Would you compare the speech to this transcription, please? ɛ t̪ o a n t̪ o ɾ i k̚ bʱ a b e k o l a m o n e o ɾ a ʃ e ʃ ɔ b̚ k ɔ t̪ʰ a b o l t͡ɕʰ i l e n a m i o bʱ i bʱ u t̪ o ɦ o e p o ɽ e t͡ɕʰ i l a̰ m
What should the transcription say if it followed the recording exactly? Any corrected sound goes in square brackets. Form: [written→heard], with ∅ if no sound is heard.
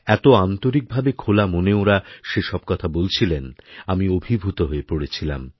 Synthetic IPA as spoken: ɛ t̪ o a n t̪ o ɾ i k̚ bʱ a b e [k→kʰ] o l a m o n e o ɾ a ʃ e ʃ ɔ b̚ k ɔ t̪ʰ a b o l t͡ɕʰ i l e n a m i o bʱ i bʱ u t̪ o ɦ o e p o ɽ e t͡ɕʰ i l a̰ m

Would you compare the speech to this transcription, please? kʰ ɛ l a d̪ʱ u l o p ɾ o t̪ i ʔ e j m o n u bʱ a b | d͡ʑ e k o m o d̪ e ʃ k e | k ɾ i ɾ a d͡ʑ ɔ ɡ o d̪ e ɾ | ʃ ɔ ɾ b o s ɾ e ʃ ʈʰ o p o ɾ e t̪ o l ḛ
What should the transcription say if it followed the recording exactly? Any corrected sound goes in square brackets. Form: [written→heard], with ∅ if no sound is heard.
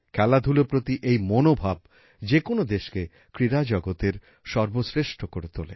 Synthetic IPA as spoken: kʰ ɛ l a d̪ʱ u l o p ɾ o t̪ i ʔ e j m o n [u→o] bʱ a b | d͡ʑ e k o [m→n] o d̪ e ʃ k e | k ɾ i ɾ a d͡ʑ ɔ ɡ o [d̪→t̪] e ɾ | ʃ ɔ ɾ b o s ɾ e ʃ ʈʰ o [p→k] o ɾ e t̪ o l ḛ

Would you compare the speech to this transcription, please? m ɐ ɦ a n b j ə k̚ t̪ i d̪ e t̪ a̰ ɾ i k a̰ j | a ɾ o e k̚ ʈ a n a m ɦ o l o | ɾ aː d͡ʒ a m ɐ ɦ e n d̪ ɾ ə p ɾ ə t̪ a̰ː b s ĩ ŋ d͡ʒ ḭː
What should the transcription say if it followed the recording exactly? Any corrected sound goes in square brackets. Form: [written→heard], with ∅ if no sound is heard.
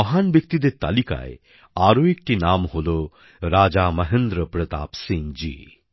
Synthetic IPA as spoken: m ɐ ɦ a n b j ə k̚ t̪ i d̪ e t̪ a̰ [ɾ→l] i k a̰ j | a ɾ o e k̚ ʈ [a→i] n a m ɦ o l o | ɾ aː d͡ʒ a m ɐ ɦ e n d̪ ɾ ə p ɾ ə t̪ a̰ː [b→p] s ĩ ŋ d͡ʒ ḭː

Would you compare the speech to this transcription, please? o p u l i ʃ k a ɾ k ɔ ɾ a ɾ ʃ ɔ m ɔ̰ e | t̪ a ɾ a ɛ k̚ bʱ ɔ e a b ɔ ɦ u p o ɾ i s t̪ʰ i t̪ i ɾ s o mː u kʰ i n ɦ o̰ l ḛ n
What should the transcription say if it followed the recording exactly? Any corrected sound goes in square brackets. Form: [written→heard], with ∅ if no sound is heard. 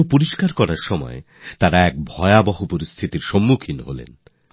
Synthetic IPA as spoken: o p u [l→ɾ] i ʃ k a ɾ k ɔ ɾ a ɾ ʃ ɔ m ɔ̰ e | t̪ a ɾ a ɛ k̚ bʱ ɔ e a b ɔ ɦ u p o ɾ i s t̪ʰ i t̪ i ɾ [s→ʃ] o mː u kʰ i n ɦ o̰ l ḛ n

